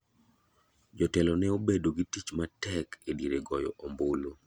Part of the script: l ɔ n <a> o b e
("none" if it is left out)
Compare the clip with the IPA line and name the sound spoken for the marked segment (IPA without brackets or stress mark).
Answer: ɛ